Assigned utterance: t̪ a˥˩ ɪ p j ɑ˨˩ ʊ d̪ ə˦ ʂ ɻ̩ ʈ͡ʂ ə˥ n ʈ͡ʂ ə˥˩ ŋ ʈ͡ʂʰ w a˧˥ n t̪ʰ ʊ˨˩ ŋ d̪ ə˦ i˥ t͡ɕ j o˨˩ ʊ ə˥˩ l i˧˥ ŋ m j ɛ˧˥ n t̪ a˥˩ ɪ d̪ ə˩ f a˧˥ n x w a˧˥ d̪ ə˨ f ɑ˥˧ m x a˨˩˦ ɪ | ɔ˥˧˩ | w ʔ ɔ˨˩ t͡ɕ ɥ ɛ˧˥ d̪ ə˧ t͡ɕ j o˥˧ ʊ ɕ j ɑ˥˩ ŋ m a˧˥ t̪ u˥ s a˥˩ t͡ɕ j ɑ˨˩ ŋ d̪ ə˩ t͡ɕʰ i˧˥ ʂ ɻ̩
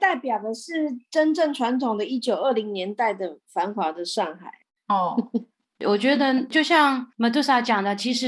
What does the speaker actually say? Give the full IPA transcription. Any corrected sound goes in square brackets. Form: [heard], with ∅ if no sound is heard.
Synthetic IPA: t̪ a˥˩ ɪ p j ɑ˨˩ ʊ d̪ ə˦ ʂ ɻ̩ ʈ͡ʂ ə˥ n ʈ͡ʂ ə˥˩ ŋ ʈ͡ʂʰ w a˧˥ n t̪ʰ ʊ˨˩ ŋ d̪ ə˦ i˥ t͡ɕ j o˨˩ ʊ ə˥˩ l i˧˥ ŋ [n] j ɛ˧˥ n t̪ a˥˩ ɪ d̪ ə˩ f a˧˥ n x w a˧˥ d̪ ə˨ [ʂ] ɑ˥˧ [ŋ] x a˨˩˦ ɪ | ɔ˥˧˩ | w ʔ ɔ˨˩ t͡ɕ ɥ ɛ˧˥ d̪ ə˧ t͡ɕ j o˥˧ ʊ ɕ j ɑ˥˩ ŋ m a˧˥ t̪ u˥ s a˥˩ t͡ɕ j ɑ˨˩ ŋ d̪ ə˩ t͡ɕʰ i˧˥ ʂ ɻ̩